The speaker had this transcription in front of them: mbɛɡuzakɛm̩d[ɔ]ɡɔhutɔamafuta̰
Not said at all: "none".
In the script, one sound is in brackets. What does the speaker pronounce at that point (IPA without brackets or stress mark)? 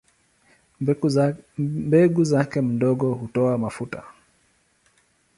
ɔ